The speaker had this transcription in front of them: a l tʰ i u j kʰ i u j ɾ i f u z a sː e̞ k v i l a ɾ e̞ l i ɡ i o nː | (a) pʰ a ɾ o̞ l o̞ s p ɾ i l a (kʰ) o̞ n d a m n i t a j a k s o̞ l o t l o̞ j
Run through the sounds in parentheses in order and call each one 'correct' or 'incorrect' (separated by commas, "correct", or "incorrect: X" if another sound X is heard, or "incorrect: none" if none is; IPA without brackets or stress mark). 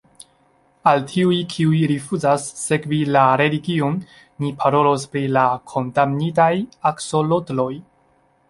incorrect: i, correct